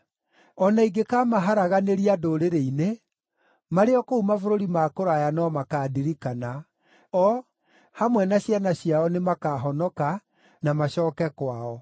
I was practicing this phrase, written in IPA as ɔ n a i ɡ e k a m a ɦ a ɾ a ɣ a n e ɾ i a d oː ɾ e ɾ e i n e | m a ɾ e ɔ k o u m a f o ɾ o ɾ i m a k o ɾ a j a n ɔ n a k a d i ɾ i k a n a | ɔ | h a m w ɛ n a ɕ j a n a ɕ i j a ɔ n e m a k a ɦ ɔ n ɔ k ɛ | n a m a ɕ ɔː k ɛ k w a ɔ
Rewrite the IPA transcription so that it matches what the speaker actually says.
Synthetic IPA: ɔ n a i ɡ e k a m a ɦ a ɾ a ɣ a n e ɾ i a d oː ɾ e ɾ e i n e | m a ɾ e ɔ k o u m a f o ɾ o ɾ i m a k o ɾ a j a n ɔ m a k a d i ɾ i k a n a | ɔ | h a m w ɛ n a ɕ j a n a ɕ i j a ɔ n e m a k a ɦ ɔ n ɔ k a | n a m a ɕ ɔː k ɛ k w a ɔ